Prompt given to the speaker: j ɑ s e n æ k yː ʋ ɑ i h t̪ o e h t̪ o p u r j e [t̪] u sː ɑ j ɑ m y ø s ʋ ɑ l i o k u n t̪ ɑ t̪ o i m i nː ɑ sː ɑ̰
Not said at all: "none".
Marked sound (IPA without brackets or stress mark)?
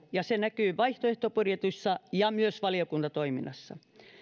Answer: t̪